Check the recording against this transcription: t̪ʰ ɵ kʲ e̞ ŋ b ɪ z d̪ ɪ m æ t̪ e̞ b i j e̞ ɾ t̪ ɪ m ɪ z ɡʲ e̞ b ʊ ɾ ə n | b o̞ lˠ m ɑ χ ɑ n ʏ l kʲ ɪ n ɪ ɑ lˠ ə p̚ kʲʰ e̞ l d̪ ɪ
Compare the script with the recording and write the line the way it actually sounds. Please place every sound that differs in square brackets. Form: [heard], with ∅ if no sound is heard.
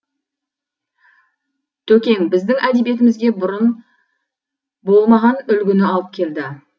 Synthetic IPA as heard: t̪ʰ ɵ kʲ e̞ ŋ b ɪ z d̪ ɪ [ŋ] æ [d̪] e̞ b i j e̞ [∅] t̪ ɪ m ɪ z ɡʲ e̞ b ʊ ɾ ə n | b o̞ lˠ m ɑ [ʁ] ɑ n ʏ l [ɡʲ] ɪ n ɪ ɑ lˠ ə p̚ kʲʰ e̞ l d̪ ɪ

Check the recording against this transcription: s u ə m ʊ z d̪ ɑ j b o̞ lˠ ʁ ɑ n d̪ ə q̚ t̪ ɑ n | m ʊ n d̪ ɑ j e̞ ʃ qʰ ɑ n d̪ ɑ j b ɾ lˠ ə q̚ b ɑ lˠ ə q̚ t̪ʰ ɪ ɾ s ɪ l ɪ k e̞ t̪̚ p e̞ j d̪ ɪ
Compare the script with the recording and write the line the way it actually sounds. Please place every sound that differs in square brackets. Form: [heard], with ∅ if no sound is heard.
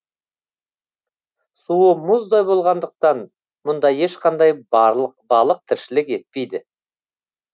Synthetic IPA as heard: s u ə m ʊ z d̪ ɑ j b o̞ lˠ ʁ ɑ n d̪ ə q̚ t̪ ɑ n | m ʊ n d̪ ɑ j e̞ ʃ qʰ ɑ n d̪ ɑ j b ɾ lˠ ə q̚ b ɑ lˠ ə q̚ t̪ʰ ɪ ɾ [ʃ] ɪ l ɪ k e̞ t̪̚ p e̞ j d̪ ɪ

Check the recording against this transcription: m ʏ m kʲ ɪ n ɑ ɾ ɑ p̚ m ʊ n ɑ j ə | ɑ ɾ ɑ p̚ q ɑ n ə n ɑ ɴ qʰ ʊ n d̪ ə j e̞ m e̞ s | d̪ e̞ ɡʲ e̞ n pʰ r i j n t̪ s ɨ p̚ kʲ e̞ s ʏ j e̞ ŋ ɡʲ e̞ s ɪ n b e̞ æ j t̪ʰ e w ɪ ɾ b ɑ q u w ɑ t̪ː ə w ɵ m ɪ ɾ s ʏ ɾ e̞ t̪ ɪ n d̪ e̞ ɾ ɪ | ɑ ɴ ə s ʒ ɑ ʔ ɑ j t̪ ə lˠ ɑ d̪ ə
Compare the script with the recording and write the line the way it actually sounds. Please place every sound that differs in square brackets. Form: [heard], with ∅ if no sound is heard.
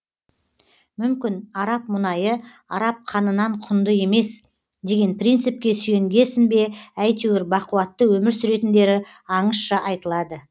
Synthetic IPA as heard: m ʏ m kʲ ɪ n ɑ ɾ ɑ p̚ m ʊ n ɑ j ə | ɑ ɾ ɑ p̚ [qʰ] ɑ n ə n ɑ ɴ qʰ ʊ n d̪ ə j e̞ m e̞ s | d̪ e̞ ɡʲ e̞ n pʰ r i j n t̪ s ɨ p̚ kʲ e̞ s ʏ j e̞ ŋ ɡʲ e̞ s ɪ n b e̞ æ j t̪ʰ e w ɪ ɾ b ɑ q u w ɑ t̪ː ə w ɵ m ɪ ɾ s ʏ ɾ e̞ t̪ ɪ n d̪ e̞ ɾ ɪ | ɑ ɴ ə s [ʃ] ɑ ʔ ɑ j t̪ ə lˠ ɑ d̪ ə

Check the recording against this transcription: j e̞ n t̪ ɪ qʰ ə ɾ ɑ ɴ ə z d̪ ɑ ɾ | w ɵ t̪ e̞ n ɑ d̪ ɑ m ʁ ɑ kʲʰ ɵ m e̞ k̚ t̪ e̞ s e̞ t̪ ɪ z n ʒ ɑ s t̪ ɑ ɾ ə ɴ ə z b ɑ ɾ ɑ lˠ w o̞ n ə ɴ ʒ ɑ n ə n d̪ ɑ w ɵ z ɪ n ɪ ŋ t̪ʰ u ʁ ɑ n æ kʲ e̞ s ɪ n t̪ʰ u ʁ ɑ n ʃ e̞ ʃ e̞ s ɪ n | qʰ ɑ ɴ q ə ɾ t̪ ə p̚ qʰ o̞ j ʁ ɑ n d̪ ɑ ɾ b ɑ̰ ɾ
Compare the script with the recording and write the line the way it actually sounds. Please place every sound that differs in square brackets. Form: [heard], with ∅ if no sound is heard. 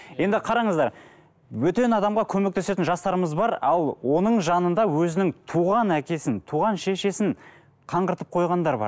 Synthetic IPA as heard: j e̞ n [d̪] ɪ qʰ [ɑ] ɾ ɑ ɴ ə z d̪ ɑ ɾ | w ɵ t̪ e̞ n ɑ d̪ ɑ m ʁ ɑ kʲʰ ɵ m e̞ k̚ t̪ e̞ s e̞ t̪ ɪ [∅] n ʒ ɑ s t̪ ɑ ɾ ə [m] ə z b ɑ ɾ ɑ lˠ w o̞ n ə ɴ ʒ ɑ n ə n d̪ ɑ w ɵ z ɪ n ɪ ŋ t̪ʰ u ʁ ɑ n æ kʲ e̞ s ɪ n t̪ʰ u ʁ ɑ n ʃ e̞ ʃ e̞ s ɪ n | qʰ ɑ ɴ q ə ɾ t̪ ə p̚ qʰ o̞ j ʁ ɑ n d̪ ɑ ɾ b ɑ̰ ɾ

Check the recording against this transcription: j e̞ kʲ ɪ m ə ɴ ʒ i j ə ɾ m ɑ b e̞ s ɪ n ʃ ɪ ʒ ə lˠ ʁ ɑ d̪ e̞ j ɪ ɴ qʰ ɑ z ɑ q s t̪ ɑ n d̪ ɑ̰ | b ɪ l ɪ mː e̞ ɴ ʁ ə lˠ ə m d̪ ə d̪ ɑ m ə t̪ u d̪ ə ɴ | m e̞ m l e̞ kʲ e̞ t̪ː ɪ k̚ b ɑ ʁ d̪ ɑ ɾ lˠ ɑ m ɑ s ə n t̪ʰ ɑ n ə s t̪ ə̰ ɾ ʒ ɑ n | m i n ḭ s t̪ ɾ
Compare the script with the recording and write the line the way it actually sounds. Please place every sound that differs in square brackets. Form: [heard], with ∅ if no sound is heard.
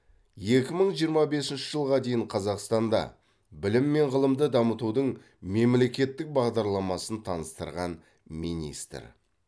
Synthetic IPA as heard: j e̞ kʲ ɪ m ə ɴ ʒ i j ə ɾ m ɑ b e̞ s ɪ n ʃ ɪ ʒ ə lˠ ʁ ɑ d̪ e̞ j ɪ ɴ qʰ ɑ z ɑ q s t̪ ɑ n d̪ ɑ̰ | b ɪ l ɪ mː e̞ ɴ ʁ ə lˠ ə m d̪ ə d̪ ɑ m ə t̪ u d̪ ə ɴ | m e̞ m l e̞ kʲ e̞ t̪ː ɪ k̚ b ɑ ʁ d̪ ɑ ɾ lˠ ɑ m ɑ s ə n t̪ʰ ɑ n ə s t̪ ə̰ ɾ [ʁ] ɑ n | m i n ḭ s t̪ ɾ

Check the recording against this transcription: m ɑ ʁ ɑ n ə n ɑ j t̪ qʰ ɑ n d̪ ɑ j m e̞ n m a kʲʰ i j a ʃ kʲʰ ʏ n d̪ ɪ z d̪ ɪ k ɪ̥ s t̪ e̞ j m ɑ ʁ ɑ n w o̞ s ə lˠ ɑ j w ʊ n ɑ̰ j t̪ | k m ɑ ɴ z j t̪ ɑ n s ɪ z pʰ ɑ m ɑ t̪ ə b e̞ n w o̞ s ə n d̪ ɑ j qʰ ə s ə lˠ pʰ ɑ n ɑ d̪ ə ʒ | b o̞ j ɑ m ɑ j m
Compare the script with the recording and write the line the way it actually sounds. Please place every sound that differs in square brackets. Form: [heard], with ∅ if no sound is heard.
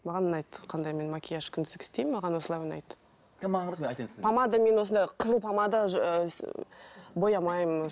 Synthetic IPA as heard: m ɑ ʁ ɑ n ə n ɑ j t̪ qʰ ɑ n d̪ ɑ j m e̞ n m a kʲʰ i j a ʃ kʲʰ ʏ n d̪ ɪ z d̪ ɪ k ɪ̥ s t̪ e̞ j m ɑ ʁ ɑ n w o̞ s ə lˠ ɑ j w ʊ n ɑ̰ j t̪ | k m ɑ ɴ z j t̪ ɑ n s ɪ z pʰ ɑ m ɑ [d̪] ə [m] e̞ n w o̞ s ə n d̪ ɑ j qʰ ə [z] ə lˠ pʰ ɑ [m] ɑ d̪ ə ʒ | b o̞ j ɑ m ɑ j m

